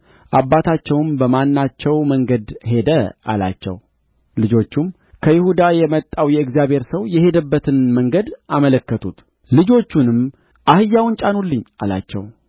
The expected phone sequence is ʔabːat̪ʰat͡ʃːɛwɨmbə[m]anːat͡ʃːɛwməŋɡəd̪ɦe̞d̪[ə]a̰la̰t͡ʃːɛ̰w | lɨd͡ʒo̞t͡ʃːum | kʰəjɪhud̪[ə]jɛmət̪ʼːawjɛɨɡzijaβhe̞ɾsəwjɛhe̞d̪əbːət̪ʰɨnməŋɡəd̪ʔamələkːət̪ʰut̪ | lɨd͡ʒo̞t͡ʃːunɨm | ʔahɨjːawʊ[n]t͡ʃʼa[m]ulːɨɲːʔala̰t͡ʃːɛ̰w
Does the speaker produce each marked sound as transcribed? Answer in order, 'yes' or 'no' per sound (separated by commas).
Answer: yes, yes, no, yes, no